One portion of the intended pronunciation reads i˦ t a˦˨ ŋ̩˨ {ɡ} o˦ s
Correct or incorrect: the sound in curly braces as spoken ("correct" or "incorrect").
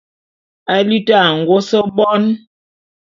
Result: correct